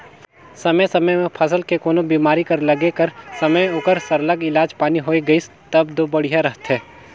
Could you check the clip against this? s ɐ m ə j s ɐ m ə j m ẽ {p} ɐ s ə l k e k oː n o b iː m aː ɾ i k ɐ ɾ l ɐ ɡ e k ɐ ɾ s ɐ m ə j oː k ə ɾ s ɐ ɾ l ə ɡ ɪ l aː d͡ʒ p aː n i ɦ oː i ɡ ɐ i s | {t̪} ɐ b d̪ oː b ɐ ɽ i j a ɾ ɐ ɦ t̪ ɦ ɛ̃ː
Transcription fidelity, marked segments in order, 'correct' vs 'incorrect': incorrect: pʰ, correct

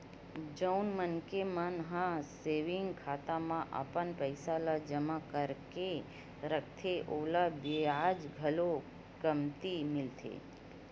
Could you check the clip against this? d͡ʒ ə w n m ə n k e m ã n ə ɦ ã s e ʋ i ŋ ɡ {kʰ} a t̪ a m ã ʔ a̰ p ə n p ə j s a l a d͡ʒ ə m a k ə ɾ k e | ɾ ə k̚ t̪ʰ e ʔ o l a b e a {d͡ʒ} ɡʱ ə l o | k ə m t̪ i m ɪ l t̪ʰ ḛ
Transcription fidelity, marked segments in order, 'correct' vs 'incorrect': correct, correct

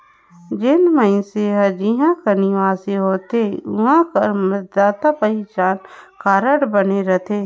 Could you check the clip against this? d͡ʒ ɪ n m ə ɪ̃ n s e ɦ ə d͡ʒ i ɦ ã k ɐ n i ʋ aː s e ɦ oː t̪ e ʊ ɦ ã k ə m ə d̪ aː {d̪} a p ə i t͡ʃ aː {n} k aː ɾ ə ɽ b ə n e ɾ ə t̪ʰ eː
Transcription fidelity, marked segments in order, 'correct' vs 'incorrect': incorrect: t̪, correct

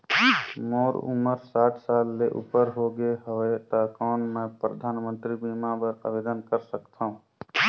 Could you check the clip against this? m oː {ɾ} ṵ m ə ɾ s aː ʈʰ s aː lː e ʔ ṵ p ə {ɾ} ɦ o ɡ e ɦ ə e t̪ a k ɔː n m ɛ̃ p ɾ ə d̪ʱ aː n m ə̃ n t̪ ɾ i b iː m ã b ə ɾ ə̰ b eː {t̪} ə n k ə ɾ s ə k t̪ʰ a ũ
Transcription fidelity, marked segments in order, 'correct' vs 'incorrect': correct, correct, incorrect: d̪

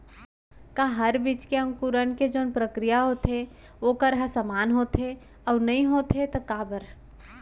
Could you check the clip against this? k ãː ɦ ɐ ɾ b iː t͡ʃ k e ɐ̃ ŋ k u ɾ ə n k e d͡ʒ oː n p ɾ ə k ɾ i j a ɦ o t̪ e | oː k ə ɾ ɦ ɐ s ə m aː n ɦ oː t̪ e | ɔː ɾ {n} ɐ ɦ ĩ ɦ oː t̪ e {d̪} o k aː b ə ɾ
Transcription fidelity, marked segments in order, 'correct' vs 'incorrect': correct, incorrect: t̪

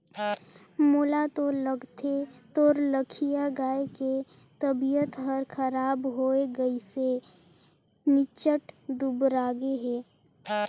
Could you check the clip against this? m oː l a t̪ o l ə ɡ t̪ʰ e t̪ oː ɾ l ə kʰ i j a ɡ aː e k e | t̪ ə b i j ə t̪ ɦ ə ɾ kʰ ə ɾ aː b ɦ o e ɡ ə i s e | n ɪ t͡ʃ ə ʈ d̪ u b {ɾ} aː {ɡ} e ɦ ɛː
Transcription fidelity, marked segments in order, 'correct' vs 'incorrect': correct, correct

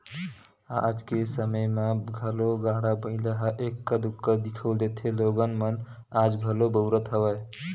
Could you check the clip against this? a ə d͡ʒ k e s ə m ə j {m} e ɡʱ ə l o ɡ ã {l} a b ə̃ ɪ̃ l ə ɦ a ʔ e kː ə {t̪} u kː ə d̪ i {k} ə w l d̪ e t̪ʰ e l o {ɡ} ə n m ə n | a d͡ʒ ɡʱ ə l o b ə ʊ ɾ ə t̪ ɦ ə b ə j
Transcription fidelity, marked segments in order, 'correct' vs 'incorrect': correct, incorrect: ɽ, incorrect: d̪, incorrect: kʰ, correct

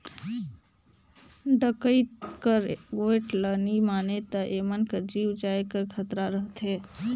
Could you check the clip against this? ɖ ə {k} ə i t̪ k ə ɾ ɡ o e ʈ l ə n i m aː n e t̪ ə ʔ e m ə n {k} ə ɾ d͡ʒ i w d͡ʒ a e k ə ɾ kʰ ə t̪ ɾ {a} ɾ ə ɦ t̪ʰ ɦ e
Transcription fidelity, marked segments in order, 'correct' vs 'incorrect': correct, correct, correct

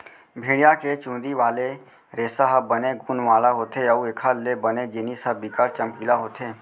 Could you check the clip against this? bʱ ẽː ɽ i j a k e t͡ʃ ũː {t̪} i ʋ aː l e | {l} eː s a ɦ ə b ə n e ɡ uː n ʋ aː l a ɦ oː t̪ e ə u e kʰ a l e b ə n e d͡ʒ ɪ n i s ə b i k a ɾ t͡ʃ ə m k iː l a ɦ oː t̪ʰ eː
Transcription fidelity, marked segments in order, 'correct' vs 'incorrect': incorrect: d̪, incorrect: ɾ

